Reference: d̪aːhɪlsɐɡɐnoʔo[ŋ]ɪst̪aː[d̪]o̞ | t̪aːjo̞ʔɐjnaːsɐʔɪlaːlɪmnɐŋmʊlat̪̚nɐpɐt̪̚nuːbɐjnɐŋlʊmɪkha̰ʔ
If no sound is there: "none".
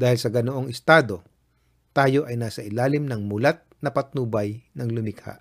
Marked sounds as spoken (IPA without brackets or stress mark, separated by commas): ŋ, d̪